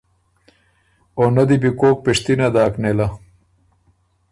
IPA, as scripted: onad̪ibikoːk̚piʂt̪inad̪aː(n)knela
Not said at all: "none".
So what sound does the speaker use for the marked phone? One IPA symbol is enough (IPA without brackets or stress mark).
none